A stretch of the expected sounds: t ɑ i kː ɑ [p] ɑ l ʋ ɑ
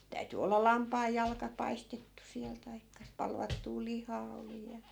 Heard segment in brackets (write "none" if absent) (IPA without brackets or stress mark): p